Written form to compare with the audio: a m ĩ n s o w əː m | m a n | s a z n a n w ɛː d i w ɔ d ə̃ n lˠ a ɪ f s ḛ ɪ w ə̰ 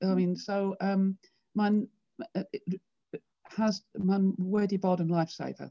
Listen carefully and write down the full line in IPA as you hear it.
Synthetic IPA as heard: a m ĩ n s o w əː m | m a n | h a z m a n w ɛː d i b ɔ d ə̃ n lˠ a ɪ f s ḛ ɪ v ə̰